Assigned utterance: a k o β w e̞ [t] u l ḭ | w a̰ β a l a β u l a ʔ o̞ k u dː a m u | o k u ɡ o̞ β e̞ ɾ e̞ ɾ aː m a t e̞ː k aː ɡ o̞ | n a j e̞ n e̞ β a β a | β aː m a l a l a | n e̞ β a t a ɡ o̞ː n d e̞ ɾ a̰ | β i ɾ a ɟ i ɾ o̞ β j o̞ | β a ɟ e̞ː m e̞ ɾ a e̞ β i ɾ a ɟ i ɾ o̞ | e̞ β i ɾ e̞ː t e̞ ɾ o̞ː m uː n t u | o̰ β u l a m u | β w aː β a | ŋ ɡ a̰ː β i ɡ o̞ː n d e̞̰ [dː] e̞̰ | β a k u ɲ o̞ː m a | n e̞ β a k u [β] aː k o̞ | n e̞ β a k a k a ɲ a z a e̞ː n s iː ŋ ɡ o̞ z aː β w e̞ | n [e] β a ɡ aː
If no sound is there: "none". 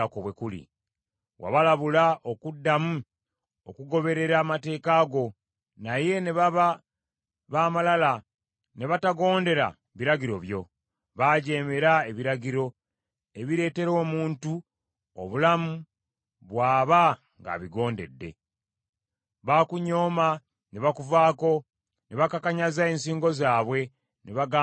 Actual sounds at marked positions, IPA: k, dː, v, e

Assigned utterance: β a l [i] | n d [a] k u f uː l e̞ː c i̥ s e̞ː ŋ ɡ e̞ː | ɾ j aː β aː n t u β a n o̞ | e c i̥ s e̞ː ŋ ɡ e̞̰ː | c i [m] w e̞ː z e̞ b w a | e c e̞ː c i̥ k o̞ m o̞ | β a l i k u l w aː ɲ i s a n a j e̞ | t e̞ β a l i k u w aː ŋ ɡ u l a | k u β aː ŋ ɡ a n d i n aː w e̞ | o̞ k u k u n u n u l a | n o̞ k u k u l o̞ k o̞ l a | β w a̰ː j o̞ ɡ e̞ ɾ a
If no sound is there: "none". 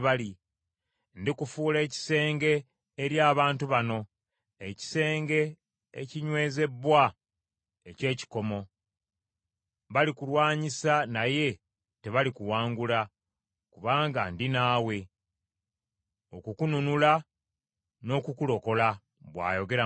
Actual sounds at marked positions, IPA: i, i, ɲ

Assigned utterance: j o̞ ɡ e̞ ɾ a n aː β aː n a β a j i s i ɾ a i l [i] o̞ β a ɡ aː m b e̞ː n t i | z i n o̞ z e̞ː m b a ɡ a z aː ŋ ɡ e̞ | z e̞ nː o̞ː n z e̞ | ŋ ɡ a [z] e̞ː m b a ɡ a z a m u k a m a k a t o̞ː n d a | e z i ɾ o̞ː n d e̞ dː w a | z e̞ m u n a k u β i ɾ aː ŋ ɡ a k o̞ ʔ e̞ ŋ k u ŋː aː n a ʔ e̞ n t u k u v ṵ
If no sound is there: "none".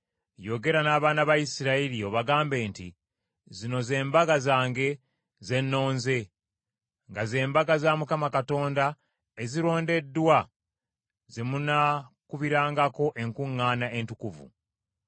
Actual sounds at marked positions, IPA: i, z

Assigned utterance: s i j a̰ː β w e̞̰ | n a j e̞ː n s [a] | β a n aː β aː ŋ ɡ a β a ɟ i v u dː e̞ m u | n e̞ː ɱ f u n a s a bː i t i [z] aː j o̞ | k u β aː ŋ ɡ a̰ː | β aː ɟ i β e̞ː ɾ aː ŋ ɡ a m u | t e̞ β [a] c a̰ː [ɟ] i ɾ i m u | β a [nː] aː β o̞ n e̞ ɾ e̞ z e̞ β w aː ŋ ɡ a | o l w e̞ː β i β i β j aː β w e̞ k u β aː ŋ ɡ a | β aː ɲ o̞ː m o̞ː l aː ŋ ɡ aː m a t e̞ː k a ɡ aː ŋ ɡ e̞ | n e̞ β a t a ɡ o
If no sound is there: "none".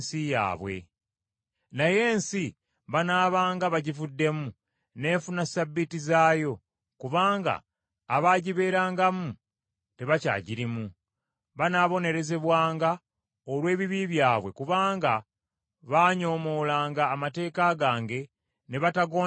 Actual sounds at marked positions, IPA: i, z, a, ɟ, n

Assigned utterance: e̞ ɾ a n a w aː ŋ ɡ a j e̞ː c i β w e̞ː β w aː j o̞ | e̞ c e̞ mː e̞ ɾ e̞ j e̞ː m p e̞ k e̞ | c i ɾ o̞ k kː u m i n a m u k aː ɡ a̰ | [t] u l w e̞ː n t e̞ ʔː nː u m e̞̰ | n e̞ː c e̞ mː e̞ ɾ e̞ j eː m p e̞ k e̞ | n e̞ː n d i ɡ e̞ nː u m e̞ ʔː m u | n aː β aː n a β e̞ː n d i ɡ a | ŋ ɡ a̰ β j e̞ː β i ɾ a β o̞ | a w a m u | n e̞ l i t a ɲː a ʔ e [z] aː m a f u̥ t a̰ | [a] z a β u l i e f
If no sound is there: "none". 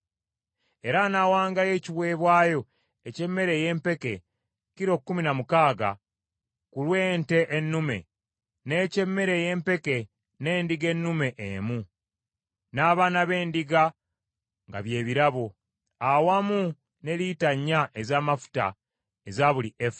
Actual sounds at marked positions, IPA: k, z, e

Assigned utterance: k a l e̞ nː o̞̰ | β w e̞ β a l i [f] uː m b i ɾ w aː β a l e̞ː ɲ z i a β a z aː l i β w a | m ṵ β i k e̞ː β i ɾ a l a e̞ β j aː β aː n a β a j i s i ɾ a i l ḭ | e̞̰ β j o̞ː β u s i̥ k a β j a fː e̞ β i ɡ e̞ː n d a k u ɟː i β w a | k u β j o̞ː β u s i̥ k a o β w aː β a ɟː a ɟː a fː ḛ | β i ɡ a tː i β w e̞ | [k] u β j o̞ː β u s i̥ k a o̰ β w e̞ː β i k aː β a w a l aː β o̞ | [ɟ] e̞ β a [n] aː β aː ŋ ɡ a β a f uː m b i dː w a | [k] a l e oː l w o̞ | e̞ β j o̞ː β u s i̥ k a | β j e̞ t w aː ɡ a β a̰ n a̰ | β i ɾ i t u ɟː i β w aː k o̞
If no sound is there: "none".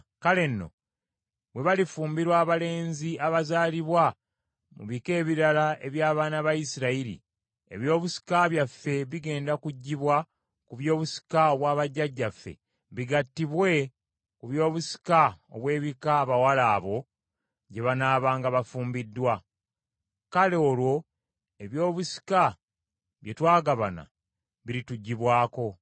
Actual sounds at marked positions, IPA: f, k, ɟ, n, k

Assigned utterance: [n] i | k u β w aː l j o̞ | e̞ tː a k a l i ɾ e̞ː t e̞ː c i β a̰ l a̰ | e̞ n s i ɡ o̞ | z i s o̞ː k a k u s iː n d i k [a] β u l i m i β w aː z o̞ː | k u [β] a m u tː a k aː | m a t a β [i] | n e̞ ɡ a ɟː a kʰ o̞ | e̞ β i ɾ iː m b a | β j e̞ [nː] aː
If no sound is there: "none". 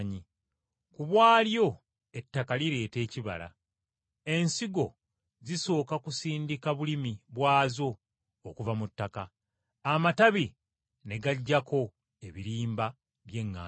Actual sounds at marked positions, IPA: ɲ, a, v, i, ŋː

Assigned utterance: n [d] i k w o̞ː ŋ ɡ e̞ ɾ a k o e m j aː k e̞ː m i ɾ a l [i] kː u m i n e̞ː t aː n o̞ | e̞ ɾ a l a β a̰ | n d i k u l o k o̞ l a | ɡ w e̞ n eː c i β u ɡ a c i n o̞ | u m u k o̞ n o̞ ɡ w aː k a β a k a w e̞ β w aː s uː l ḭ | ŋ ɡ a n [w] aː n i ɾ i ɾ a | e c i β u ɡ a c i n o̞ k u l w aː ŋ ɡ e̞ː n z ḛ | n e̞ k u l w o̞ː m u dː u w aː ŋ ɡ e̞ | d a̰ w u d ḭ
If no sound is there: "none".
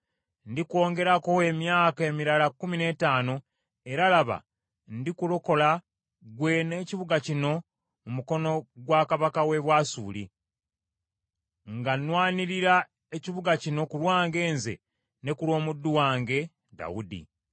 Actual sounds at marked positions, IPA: d, a, w

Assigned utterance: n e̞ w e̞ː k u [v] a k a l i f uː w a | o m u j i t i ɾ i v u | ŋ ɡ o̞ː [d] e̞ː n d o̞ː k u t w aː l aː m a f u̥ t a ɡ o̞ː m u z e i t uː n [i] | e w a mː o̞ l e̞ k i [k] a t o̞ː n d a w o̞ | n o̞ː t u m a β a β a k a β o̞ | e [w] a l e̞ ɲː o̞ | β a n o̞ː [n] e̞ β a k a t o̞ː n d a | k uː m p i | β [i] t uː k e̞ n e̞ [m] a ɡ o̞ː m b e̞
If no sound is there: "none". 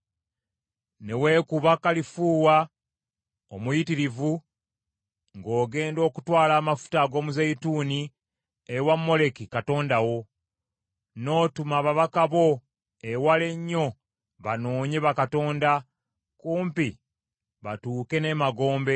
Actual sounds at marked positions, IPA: β, ɡ, i, k, w, ɲ, a, m

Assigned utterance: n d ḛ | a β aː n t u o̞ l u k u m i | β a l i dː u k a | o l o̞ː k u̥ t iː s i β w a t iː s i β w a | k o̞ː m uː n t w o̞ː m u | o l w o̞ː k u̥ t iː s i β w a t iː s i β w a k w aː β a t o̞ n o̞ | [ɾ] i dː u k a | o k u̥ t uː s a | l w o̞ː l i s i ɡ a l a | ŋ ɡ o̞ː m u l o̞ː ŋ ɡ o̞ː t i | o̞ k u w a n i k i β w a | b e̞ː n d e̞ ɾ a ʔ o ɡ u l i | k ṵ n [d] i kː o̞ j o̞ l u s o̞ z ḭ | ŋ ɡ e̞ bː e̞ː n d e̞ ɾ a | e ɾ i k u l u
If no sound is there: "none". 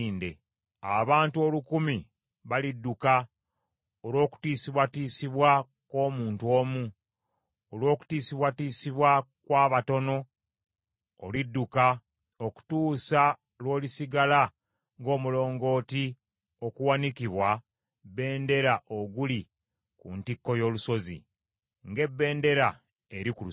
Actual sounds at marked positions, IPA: l, t

